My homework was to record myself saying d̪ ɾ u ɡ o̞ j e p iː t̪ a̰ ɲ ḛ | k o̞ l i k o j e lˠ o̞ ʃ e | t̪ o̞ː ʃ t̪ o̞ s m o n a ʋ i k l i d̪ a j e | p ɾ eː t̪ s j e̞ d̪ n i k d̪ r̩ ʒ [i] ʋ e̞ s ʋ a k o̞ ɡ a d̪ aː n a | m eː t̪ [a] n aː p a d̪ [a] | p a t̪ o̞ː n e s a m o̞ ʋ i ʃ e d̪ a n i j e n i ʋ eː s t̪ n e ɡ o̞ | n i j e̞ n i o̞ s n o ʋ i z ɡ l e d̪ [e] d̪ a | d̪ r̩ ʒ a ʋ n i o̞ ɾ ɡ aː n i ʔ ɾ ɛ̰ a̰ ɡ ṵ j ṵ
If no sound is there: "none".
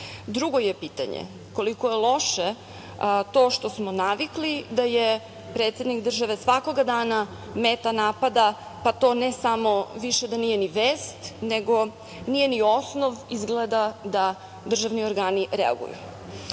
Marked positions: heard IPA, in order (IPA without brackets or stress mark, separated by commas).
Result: a, a, a, a